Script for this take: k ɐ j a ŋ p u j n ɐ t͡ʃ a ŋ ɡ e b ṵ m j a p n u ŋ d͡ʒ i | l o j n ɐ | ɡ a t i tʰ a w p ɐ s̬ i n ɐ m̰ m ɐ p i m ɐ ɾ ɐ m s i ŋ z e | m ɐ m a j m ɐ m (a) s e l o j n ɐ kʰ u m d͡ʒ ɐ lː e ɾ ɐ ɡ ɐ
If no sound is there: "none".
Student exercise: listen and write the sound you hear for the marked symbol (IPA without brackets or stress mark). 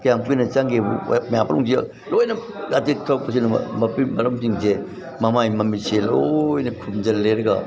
i